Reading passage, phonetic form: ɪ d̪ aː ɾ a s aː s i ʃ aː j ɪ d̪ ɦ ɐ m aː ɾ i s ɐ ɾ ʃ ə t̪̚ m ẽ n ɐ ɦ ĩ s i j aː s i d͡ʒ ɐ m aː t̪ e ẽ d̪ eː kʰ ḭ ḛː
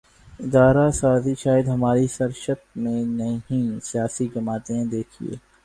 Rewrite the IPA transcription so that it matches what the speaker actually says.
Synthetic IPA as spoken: ɪ d̪ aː ɾ a s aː z i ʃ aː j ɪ d̪ ɦ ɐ m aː ɾ i s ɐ ɾ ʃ ə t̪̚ m ẽ n ɐ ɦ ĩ s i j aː s i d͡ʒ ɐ m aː t̪ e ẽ d̪ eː kʰ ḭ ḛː